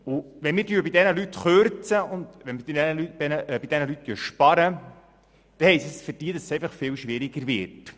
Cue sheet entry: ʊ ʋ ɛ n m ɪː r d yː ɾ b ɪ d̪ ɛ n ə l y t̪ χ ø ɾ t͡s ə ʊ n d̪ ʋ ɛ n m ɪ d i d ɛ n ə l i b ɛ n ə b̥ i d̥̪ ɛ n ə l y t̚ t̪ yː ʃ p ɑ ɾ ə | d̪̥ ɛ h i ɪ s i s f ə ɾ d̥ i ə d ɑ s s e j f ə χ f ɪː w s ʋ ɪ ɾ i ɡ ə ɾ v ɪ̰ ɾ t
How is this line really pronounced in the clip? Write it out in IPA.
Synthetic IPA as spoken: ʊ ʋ ɛ n m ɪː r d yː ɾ b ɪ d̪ ɛ n ə l y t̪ χ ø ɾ t͡s ə ʊ n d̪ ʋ ɛ n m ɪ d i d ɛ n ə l y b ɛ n ə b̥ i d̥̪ ɛ n ə l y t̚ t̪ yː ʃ p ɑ ɾ ə | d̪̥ ɛ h ɛ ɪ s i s f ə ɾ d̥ i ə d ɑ s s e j f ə χ f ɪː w ʃ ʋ ɪ ɾ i ɡ ə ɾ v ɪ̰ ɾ t